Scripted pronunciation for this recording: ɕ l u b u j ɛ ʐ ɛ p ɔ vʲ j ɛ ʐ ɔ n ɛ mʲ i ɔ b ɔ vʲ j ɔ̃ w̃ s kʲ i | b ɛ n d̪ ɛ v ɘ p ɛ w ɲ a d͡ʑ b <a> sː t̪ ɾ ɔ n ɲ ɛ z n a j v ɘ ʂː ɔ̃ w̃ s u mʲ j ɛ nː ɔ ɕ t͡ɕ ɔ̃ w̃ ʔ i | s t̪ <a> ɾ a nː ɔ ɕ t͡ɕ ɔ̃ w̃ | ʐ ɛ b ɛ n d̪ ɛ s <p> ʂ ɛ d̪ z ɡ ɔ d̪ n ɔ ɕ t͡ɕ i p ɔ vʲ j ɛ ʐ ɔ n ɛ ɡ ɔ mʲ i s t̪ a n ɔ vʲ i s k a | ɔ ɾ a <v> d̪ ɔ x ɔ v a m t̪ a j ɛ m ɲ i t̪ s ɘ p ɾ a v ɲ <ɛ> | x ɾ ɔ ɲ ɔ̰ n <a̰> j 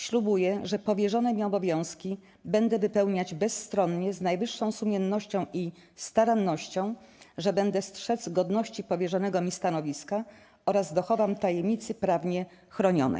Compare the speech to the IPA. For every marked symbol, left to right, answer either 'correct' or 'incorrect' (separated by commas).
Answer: incorrect, correct, incorrect, incorrect, correct, incorrect